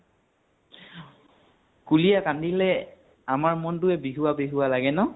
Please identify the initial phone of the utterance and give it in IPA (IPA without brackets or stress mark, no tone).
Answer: k